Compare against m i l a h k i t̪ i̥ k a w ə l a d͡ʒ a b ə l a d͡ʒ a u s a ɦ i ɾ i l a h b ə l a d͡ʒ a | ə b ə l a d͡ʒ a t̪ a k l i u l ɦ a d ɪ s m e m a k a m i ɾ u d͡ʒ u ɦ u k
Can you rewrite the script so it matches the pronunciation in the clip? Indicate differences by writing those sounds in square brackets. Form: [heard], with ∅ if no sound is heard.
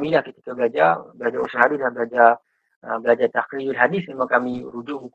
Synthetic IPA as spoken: m i l a h k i t̪ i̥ k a [b] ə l a d͡ʒ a b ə l a d͡ʒ a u s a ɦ [a] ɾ i l a h b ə l a d͡ʒ a | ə b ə l a d͡ʒ a t̪ a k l i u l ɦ a d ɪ s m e m a k a m i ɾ u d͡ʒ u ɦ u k